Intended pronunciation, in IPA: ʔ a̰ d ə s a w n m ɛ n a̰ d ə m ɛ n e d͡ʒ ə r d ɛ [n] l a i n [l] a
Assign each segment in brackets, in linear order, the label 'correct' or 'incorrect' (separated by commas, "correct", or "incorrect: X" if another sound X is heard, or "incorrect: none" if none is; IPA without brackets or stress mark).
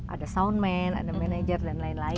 correct, correct